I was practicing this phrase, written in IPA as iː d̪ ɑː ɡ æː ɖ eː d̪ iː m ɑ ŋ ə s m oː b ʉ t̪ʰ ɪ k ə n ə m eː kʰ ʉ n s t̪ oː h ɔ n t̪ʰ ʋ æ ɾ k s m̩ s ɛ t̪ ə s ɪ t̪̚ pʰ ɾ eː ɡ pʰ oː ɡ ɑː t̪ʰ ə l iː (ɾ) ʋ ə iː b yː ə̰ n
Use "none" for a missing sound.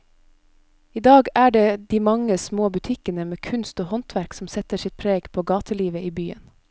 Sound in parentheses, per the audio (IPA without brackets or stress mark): none